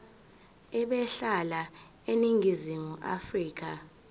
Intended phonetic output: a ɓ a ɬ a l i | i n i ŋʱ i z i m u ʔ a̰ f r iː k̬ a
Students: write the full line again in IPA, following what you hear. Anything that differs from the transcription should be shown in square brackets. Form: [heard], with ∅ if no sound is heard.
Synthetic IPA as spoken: [ɛ] ɓ [ɛ] ɬ a l [a] | [e] n i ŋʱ i z i m u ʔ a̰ f r iː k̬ a